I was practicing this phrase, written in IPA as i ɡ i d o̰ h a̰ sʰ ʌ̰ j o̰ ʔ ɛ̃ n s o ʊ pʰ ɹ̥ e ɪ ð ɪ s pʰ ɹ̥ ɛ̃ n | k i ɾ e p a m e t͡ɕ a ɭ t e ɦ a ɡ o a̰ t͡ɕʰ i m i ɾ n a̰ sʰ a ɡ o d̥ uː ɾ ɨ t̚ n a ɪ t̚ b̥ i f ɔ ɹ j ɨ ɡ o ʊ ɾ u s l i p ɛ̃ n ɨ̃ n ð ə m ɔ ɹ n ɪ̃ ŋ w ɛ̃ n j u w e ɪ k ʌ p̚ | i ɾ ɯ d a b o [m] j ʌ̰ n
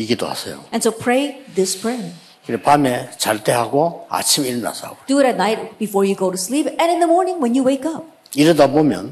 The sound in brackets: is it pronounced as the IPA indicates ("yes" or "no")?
yes